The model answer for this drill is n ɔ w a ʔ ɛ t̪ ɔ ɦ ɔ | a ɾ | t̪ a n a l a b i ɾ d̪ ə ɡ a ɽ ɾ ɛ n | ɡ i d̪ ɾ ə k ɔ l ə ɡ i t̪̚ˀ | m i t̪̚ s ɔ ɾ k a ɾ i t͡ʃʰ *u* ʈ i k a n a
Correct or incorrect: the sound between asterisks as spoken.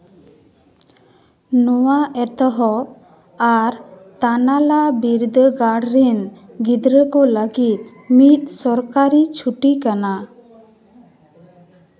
correct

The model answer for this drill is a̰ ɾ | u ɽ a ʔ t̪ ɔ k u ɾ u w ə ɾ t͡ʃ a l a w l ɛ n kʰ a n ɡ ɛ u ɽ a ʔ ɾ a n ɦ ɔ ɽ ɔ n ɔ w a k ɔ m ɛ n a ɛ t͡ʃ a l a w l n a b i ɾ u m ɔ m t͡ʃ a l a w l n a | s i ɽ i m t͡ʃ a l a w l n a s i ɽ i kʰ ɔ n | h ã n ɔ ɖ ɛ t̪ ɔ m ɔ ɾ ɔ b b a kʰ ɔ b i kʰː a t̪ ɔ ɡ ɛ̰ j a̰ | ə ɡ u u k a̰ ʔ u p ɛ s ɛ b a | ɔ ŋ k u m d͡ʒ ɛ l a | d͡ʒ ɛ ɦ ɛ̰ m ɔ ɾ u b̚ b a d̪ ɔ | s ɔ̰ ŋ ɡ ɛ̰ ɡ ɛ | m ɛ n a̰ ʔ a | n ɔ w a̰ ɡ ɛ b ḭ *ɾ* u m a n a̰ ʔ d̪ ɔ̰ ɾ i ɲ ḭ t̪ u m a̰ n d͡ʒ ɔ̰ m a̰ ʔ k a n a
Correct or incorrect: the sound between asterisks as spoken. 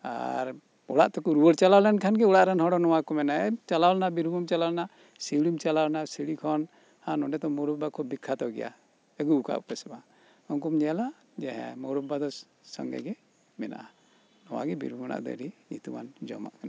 correct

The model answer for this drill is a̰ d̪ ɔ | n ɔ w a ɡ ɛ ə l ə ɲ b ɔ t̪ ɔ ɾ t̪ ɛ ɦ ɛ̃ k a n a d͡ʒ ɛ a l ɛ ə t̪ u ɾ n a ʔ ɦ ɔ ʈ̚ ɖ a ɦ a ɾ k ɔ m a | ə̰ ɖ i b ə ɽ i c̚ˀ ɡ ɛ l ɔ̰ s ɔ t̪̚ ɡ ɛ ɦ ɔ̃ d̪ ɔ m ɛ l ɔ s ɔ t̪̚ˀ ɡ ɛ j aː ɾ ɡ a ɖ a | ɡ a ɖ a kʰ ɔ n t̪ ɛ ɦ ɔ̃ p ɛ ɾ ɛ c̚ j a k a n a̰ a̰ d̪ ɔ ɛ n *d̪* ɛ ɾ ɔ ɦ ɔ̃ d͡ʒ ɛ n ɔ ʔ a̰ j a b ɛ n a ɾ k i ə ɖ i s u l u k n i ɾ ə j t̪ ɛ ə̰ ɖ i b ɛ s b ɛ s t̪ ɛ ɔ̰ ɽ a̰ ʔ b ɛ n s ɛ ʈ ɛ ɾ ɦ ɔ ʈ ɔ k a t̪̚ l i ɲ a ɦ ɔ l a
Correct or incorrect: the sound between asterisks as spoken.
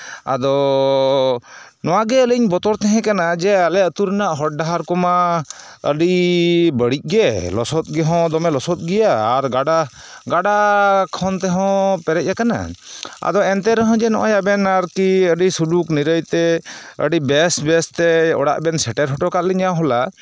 incorrect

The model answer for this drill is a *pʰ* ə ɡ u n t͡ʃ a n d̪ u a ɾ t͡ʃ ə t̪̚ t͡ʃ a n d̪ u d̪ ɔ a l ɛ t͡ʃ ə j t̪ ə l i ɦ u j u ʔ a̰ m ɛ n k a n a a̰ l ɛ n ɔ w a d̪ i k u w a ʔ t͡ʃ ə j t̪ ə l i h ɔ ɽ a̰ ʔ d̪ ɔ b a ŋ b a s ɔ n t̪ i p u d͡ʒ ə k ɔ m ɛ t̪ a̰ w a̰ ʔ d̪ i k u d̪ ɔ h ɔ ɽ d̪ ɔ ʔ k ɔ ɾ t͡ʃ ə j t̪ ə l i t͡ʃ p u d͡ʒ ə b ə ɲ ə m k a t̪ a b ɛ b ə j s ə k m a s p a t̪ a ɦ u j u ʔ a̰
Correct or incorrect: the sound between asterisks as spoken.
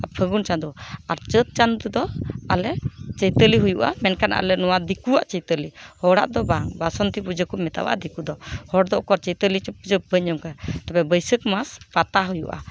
correct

